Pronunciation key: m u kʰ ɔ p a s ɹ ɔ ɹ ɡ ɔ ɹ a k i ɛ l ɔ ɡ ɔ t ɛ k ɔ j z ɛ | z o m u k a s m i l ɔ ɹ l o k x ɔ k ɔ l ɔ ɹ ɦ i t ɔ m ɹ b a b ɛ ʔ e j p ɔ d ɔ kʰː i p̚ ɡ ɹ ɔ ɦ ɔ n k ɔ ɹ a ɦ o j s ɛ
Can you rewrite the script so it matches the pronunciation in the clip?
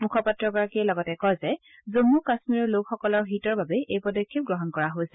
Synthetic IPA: m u kʰ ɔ p a t ɹ ɔ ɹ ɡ ɔ ɹ a k i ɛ l ɔ ɡ ɔ t ɛ k ɔ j z ɛ | z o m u k a s m i ɹ ɔ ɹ l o k x ɔ k ɔ l ɔ ɹ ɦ i t ɔ ɹ b a b ɛ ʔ e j p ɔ d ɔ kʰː i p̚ ɡ ɹ ɔ ɦ ɔ n k ɔ ɹ a ɦ o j s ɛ